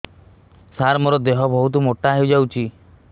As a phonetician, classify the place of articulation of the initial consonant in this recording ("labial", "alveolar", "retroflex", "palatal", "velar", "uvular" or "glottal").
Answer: alveolar